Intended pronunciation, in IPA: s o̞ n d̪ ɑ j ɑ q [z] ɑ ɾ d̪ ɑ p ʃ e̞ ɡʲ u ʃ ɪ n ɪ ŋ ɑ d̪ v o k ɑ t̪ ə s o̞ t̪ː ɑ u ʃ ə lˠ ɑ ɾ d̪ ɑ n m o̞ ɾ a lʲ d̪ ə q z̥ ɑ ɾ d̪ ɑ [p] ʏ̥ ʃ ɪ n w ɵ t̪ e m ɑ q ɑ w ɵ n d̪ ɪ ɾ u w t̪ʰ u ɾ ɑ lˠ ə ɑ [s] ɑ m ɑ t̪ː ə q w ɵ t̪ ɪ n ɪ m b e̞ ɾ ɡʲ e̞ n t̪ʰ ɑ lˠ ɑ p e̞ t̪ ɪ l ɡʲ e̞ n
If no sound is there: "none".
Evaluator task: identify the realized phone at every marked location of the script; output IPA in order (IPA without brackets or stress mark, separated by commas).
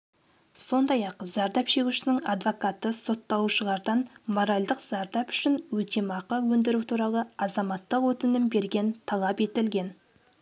z, p, z